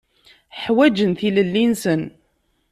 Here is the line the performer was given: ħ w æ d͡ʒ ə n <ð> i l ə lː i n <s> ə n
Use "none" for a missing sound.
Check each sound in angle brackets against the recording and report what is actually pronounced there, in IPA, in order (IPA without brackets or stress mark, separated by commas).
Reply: θ, s